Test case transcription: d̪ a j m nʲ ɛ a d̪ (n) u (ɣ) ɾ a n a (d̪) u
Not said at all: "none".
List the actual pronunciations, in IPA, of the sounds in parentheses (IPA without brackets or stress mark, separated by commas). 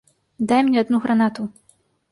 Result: n, ɣ, t̪